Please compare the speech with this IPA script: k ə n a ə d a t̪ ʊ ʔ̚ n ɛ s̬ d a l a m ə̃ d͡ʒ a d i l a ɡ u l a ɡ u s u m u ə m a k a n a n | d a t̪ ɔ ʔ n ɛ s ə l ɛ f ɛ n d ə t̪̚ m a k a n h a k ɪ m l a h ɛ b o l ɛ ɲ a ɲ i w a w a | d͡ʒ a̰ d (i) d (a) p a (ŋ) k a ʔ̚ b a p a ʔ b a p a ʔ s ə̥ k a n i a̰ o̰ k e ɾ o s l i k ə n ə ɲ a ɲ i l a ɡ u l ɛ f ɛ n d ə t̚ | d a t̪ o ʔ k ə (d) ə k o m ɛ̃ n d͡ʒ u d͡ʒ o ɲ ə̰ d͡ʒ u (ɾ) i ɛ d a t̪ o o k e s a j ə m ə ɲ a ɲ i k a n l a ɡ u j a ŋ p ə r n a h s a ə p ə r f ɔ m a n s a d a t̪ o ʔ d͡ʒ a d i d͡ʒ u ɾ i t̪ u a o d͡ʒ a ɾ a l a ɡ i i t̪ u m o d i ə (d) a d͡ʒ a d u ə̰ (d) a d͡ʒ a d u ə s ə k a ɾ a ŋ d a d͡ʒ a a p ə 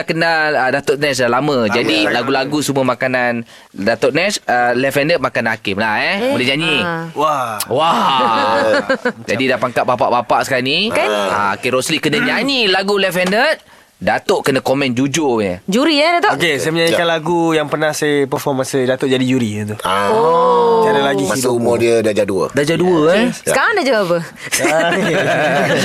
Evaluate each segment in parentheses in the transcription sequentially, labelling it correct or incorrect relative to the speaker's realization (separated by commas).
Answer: correct, correct, correct, incorrect, correct, correct, correct